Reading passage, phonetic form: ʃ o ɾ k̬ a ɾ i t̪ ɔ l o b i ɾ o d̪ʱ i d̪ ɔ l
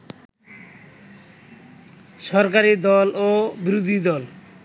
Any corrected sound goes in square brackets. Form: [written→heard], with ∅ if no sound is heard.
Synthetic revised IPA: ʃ [o→ɔ] ɾ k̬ a ɾ i [t̪→d̪] ɔ l o b i ɾ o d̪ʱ i d̪ ɔ l